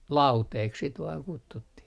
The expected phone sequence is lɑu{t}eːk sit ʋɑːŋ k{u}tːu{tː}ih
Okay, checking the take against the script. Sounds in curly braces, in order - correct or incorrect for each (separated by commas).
correct, correct, correct